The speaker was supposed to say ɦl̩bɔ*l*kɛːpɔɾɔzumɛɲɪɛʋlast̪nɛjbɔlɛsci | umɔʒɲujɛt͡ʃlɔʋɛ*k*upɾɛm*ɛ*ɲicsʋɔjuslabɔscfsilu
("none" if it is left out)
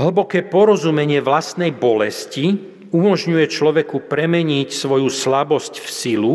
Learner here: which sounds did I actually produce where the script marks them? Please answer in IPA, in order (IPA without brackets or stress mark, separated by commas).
none, k, ɛ